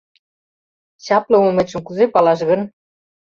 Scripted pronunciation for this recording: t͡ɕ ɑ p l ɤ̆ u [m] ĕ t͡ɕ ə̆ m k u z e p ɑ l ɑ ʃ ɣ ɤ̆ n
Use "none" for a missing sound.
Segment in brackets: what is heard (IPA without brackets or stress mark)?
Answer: m